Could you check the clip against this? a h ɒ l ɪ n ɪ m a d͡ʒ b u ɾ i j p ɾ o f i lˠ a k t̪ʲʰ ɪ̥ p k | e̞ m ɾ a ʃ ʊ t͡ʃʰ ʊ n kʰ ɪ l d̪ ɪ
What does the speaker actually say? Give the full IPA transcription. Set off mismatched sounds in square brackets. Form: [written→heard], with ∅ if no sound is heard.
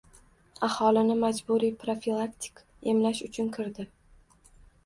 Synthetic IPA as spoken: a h ɒ l ɪ n ɪ m a d͡ʒ b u ɾ i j p ɾ o f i lˠ a k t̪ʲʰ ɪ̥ [p→∅] k | e̞ m [ɾ→l] a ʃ ʊ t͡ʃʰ ʊ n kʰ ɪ [l→ɾ] d̪ ɪ